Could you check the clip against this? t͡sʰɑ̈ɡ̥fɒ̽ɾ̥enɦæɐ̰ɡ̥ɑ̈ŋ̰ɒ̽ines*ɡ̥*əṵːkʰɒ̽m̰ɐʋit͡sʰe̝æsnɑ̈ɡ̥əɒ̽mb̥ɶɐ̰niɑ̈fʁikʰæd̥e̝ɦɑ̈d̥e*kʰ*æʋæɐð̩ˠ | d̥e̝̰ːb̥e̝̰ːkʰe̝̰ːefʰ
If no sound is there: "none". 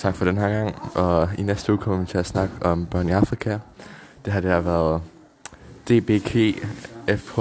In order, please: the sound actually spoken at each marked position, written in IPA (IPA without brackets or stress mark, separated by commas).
d̥, none